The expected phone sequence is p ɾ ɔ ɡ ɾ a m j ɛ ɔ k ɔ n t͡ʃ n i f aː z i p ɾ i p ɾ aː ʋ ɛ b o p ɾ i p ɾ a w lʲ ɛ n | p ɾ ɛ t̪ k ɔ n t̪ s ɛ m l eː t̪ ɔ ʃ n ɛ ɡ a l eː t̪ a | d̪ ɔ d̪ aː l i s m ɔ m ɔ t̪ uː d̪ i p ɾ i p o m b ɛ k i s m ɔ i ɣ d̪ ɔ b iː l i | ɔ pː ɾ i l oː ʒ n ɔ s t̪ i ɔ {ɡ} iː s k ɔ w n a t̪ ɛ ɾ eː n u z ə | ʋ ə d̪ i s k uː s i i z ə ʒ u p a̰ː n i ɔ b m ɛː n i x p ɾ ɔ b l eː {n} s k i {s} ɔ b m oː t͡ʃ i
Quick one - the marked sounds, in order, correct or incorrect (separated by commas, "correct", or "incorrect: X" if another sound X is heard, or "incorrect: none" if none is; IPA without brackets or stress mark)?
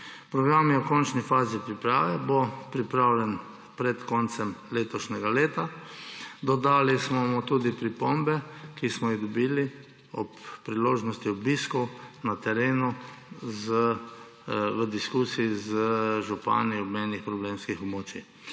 incorrect: b, incorrect: m, incorrect: x